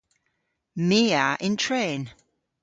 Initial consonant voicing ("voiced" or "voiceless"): voiced